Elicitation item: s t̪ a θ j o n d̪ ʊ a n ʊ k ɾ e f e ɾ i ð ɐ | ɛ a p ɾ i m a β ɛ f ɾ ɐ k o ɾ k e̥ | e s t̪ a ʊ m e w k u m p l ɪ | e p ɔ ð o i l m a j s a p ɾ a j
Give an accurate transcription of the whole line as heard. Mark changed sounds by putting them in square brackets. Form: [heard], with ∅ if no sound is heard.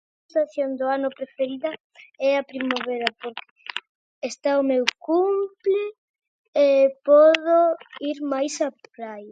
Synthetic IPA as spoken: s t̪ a θ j o n d̪ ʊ a n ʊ [p] ɾ e f e ɾ i ð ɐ | ɛ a p ɾ i m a β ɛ [∅] ɾ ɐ [p] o ɾ k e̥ | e s t̪ a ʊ m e w k u m p l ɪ | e p ɔ ð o i [ɾ] m a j s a p ɾ a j